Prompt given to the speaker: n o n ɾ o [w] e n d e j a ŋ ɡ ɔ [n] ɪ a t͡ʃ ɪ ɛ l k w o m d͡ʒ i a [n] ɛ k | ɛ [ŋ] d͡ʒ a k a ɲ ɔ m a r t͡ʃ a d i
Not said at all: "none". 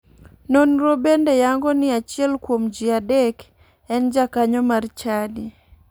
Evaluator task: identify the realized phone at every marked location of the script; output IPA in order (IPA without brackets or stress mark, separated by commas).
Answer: b, n, d, n